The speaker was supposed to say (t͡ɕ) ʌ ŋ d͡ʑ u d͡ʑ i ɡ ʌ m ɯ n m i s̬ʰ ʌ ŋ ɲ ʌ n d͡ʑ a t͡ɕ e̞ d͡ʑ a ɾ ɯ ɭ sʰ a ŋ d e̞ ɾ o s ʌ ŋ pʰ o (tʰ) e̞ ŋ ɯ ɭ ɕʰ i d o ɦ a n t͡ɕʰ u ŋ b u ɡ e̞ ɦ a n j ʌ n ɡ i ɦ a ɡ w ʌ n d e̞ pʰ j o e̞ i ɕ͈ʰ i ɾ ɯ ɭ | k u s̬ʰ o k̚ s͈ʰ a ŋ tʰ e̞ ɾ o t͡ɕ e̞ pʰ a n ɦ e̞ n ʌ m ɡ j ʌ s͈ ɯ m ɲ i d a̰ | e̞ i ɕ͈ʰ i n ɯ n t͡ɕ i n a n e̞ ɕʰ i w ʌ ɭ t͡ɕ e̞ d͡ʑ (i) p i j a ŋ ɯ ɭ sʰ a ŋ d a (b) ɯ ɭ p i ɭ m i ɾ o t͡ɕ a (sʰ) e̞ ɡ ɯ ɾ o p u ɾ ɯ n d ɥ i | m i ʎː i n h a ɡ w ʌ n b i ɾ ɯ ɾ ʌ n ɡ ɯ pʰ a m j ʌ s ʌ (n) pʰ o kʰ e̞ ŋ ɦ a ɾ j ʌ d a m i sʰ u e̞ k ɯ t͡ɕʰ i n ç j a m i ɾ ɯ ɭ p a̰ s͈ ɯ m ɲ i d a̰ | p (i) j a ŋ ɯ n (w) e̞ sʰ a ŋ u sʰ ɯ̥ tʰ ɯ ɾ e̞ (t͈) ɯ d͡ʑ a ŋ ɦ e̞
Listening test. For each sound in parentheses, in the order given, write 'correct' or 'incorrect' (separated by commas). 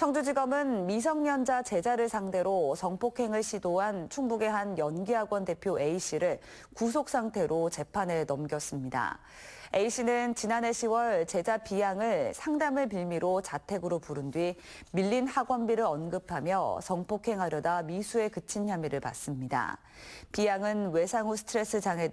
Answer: incorrect, incorrect, incorrect, incorrect, incorrect, incorrect, correct, correct, incorrect